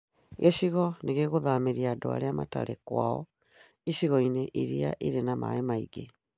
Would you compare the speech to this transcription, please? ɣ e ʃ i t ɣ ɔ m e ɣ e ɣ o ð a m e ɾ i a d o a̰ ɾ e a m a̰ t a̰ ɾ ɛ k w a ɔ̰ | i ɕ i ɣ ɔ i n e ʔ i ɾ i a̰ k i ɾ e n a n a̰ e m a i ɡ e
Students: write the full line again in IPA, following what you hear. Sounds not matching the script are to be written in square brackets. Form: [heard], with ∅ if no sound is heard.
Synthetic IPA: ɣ e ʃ i [∅] ɣ ɔ [n] e ɣ e ɣ o ð a m e ɾ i a d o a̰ ɾ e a m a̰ t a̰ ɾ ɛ k w a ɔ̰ | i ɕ i ɣ ɔ i n e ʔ i ɾ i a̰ [ʔ] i ɾ e n a [m] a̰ e m a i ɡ e